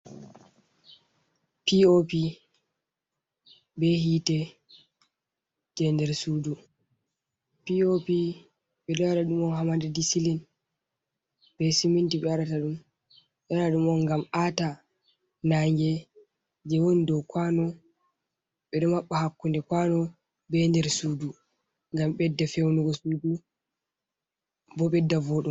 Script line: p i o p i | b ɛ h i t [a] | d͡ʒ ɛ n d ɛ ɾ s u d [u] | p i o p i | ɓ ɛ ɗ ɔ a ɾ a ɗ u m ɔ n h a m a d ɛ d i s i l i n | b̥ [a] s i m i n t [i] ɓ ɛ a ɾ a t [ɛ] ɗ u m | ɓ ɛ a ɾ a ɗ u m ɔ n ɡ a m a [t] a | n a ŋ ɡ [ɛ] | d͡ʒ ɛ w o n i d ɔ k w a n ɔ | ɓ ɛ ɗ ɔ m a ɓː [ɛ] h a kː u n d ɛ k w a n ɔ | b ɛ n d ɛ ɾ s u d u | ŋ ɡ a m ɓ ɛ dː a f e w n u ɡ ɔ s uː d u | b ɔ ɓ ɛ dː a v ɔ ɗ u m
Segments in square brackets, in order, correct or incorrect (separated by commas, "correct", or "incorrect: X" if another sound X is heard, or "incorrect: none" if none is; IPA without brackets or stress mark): incorrect: ɛ, correct, incorrect: ɛ, correct, incorrect: a, correct, correct, incorrect: a